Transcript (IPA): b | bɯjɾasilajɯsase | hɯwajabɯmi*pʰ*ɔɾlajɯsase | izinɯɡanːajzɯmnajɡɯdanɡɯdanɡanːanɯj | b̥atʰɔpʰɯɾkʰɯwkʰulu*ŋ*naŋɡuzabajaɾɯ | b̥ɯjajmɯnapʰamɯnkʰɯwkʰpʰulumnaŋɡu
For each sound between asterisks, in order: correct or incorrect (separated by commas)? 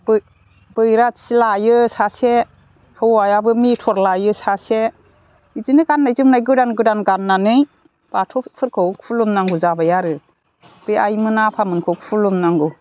incorrect, incorrect